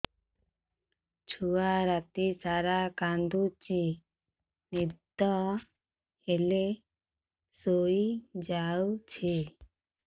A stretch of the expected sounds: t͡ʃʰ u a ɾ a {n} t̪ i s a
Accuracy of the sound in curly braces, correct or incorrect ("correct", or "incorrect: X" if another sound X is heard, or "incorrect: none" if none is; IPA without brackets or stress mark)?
incorrect: none